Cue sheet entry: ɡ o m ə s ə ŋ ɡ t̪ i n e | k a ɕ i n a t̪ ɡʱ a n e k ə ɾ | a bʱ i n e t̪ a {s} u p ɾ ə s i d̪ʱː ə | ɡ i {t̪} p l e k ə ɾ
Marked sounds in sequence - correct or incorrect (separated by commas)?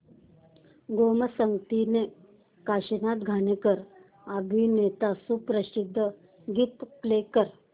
correct, correct